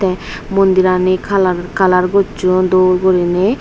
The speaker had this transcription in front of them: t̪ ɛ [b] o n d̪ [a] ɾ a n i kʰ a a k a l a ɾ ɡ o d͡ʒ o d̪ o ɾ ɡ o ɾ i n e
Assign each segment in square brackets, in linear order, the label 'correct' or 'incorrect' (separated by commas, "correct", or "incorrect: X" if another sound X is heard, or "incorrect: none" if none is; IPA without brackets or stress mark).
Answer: incorrect: m, incorrect: i